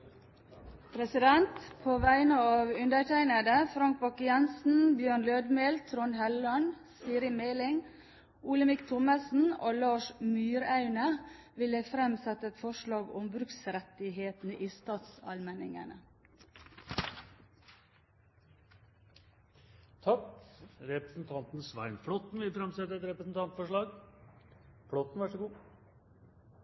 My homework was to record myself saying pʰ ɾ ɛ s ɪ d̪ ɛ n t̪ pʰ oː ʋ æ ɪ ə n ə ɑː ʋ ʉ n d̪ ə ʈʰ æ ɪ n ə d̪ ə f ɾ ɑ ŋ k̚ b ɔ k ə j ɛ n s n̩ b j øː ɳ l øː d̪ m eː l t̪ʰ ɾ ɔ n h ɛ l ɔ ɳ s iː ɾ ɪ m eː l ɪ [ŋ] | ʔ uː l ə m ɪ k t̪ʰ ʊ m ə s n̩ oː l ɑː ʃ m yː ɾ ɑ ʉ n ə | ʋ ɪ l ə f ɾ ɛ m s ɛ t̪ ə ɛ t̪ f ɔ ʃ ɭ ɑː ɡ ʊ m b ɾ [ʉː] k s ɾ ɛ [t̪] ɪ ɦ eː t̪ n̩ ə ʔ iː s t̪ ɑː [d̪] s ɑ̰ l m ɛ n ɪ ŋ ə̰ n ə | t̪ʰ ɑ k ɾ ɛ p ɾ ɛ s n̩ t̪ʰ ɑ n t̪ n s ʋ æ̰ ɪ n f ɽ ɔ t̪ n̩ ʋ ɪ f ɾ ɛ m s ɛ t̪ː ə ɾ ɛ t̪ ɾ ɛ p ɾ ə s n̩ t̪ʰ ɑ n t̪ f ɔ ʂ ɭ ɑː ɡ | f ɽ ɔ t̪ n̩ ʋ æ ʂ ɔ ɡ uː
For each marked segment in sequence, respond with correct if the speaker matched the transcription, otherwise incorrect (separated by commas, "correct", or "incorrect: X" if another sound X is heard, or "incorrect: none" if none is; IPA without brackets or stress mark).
correct, incorrect: ʉ, correct, incorrect: t̪